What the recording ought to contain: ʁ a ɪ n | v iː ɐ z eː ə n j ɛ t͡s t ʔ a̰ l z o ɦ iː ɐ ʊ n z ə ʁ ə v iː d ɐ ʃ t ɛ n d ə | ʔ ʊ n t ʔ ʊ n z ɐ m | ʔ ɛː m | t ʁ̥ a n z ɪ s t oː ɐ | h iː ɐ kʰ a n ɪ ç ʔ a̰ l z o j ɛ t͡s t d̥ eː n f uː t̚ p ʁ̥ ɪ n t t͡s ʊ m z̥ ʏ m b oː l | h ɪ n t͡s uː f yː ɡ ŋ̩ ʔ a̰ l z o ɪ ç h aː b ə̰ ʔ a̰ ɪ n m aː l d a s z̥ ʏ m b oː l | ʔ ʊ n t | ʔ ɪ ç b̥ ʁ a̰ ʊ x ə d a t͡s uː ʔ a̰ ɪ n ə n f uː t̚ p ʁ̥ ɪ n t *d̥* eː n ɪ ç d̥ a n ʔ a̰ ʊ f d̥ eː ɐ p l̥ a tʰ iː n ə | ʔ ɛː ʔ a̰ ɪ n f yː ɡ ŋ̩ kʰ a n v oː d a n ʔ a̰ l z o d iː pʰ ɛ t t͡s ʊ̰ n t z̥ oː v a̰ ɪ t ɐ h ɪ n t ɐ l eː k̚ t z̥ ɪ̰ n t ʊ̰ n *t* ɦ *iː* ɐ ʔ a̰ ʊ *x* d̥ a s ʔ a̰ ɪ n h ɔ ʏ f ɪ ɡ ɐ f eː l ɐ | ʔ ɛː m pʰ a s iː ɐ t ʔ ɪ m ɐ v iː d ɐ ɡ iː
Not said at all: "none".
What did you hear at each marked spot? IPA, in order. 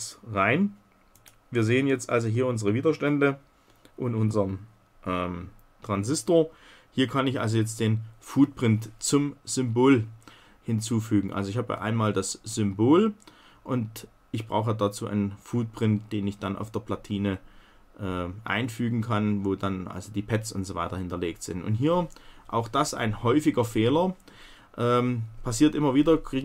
d̥, t, iː, x

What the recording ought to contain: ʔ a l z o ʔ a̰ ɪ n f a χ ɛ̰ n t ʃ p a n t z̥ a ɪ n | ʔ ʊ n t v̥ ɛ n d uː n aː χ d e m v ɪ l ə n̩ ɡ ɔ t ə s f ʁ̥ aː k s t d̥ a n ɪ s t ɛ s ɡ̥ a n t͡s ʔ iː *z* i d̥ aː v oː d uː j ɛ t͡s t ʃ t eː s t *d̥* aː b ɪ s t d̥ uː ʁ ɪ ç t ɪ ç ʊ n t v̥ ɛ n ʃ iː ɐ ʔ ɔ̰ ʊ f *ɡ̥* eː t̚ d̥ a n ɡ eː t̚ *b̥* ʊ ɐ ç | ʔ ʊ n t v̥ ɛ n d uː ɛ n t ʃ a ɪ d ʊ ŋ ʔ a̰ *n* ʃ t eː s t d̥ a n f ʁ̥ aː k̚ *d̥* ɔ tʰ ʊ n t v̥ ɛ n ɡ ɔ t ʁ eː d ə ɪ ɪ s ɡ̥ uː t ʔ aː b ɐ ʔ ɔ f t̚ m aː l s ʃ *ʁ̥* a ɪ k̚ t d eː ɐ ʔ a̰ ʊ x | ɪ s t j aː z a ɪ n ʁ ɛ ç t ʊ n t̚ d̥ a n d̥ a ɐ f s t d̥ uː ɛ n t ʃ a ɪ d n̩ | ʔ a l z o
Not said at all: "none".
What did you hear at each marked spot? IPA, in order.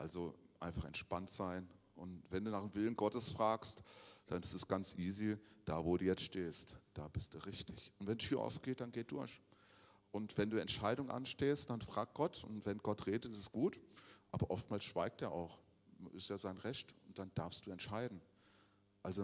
z, d̥, ɡ̥, d̥, n, ɡ̥, v̥

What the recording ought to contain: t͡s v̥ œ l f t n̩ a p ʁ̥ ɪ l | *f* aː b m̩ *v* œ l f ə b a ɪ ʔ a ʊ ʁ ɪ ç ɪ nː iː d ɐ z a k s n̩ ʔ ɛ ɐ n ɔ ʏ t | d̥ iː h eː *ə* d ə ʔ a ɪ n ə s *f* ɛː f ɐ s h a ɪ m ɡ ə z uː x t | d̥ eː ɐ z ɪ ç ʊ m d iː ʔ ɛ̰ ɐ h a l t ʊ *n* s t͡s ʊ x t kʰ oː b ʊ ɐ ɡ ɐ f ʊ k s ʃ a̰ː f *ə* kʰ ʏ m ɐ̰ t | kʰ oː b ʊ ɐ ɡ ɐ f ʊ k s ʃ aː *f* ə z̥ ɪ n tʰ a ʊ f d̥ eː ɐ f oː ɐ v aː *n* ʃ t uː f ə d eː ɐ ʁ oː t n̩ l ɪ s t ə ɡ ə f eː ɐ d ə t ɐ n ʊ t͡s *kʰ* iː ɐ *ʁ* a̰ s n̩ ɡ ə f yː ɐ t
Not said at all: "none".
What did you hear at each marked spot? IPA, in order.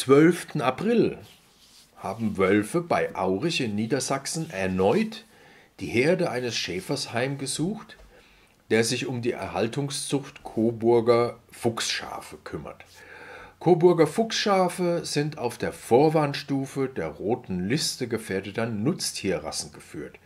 h, v, ɐ, ʃ, ŋ, ə, f, n, tʰ, ʁ

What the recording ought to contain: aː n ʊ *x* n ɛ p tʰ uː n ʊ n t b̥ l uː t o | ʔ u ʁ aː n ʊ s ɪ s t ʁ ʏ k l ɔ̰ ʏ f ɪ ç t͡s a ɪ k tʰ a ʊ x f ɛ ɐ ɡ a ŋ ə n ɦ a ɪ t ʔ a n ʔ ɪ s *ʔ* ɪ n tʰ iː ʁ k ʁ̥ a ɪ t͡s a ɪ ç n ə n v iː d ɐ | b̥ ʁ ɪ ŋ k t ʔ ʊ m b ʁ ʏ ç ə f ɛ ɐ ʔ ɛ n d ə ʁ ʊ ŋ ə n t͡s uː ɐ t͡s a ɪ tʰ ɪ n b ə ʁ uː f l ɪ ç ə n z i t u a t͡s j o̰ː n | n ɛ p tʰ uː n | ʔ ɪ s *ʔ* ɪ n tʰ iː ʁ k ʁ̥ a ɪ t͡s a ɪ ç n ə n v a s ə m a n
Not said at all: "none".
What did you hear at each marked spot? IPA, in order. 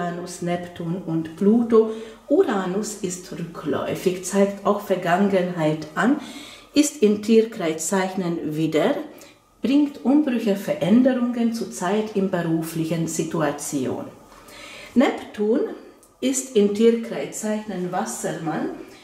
s, t, t

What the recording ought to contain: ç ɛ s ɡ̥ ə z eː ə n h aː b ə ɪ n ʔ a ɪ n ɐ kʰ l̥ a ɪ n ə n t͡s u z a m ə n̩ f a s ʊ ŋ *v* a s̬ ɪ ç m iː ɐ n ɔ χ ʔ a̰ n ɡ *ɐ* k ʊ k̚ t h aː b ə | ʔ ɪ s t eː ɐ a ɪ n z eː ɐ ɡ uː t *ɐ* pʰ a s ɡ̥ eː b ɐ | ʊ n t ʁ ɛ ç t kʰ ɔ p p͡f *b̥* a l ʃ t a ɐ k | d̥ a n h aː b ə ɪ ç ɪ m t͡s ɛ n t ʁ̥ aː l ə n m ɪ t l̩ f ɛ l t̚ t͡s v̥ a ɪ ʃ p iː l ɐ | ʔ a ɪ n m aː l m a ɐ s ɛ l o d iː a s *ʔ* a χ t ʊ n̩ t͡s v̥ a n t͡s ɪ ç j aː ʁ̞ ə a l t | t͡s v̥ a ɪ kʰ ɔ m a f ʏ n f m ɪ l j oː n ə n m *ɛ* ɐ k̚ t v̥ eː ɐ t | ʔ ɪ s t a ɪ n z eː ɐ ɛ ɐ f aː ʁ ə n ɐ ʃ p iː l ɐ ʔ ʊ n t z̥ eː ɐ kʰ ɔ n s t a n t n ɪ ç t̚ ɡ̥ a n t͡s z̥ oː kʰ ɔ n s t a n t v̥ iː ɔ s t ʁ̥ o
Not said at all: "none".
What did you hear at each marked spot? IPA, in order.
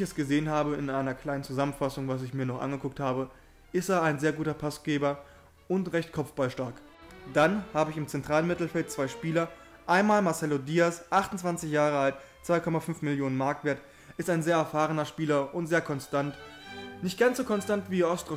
v, ə, ɐ, b̥, ʔ, a

